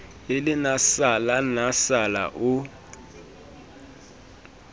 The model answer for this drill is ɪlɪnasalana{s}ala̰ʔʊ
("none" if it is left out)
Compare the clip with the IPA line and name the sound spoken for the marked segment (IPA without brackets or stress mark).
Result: s